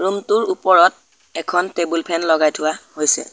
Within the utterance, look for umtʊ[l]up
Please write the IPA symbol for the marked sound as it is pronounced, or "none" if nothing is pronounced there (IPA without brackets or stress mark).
ɹ